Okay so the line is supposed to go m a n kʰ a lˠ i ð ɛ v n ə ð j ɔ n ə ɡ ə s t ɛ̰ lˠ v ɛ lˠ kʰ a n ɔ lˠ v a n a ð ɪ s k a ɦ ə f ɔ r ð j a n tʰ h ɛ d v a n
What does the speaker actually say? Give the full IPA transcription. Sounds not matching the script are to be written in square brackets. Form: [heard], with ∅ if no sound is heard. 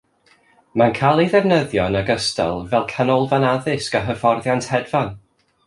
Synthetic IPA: m a n kʰ a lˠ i ð ɛ v n ə ð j ɔ n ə ɡ ə s t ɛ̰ lˠ v ɛ lˠ kʰ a n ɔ lˠ v a n a ð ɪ s k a ɦ ə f ɔ r ð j a n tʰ h ɛ d v a n